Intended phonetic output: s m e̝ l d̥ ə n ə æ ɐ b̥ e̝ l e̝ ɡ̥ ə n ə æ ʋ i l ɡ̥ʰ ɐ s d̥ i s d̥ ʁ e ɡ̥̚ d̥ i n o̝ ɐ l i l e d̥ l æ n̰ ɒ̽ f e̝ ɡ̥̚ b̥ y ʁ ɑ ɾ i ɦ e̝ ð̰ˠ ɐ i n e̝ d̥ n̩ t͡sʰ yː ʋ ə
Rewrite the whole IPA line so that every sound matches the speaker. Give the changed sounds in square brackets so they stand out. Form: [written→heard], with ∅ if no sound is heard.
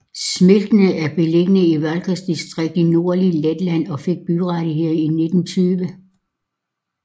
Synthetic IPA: s m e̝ l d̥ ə n ə æ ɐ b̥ e̝ l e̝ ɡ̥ ə n ə [æ→i] ʋ [i→æ] l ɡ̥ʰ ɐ s d̥ i s d̥ ʁ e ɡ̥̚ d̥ i n o̝ ɐ l i l e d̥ l æ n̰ ɒ̽ f e̝ ɡ̥̚ b̥ y ʁ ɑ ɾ i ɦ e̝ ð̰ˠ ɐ i n e̝ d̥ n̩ t͡sʰ yː ʋ ə